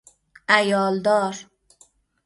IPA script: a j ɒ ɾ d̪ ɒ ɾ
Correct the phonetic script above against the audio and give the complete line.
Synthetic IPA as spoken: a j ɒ l d̪ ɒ ɾ

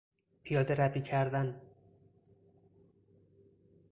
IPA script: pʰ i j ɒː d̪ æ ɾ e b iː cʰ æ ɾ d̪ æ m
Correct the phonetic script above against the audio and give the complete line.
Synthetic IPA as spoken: pʰ i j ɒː d̪ e ɾ æ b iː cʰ æ ɾ d̪ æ n

